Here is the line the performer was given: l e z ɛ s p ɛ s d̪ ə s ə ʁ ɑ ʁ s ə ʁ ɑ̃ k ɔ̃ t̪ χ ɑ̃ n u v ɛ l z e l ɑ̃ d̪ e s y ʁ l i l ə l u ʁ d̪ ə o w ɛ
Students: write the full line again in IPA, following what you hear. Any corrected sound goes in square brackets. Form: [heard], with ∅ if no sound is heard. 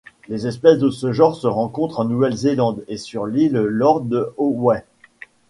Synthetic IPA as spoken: l e z ɛ s p ɛ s d̪ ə s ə [ʒ] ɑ ʁ s ə ʁ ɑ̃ k ɔ̃ t̪ χ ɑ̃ n u v ɛ l z e l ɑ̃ d̪ e s y ʁ l i l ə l [ɔ] ʁ d̪ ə o w ɛ